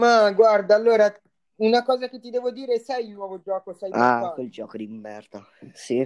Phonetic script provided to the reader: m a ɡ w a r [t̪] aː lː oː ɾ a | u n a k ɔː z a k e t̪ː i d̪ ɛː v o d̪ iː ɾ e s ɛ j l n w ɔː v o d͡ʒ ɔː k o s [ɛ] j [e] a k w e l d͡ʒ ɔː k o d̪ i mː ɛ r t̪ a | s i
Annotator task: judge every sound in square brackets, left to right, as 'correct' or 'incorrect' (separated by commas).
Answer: incorrect, correct, incorrect